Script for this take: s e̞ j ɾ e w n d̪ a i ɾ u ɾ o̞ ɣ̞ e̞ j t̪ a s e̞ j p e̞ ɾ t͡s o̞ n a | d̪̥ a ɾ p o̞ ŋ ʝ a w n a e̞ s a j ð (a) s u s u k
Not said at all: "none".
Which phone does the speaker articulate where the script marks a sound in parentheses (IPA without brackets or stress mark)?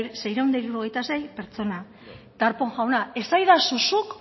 a